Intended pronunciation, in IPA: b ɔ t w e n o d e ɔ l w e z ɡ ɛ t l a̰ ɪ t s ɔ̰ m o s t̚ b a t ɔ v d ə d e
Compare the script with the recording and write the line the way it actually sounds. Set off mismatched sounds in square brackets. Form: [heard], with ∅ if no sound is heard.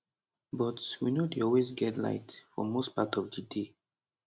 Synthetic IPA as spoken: b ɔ t w [i] n o d e ɔ l w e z ɡ ɛ t l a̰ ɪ t [f] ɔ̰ m o s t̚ [p] a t ɔ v d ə d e